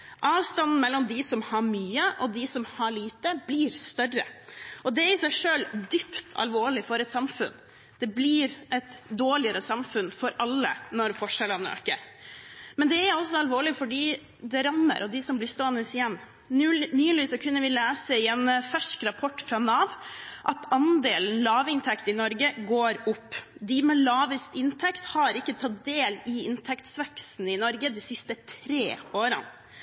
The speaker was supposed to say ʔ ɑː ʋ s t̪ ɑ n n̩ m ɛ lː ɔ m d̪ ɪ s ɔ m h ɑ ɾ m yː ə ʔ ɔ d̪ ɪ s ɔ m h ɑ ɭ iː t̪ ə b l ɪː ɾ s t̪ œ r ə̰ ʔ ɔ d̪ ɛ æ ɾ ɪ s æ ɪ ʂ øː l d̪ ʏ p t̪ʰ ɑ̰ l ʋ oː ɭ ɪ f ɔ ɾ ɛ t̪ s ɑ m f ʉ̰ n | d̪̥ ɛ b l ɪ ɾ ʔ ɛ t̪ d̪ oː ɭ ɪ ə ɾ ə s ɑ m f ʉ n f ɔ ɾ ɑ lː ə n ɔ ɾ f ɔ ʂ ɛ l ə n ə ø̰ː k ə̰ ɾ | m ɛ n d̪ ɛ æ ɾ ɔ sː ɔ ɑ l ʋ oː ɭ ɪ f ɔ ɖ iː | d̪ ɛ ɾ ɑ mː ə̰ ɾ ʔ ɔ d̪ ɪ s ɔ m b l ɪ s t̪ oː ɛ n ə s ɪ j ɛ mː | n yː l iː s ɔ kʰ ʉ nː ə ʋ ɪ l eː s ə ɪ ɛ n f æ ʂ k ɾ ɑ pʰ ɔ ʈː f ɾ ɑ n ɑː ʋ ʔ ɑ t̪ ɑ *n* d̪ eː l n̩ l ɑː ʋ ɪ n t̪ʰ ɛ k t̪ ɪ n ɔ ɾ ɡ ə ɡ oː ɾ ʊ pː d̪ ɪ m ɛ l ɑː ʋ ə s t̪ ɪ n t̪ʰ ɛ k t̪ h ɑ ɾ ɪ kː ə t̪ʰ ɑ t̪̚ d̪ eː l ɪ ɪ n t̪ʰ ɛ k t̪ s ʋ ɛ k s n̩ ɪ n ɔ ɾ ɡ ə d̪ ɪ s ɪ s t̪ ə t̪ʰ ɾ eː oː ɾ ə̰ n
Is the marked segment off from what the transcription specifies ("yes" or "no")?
no